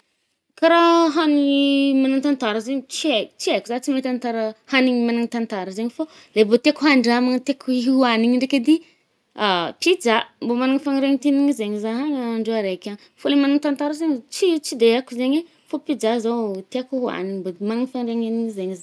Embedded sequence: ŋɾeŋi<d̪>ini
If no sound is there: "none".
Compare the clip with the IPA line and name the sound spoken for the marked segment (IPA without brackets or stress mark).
t̪